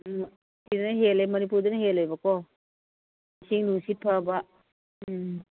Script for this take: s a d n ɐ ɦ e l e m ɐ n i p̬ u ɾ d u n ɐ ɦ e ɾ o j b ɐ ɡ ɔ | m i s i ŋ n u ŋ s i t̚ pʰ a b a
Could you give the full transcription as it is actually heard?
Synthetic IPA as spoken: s i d n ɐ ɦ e l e m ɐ n i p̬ u ɾ d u n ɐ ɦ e l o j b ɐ k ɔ | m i s i ŋ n u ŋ s i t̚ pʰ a b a